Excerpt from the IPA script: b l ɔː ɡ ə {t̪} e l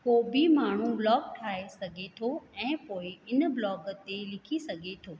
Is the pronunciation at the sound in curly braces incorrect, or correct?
correct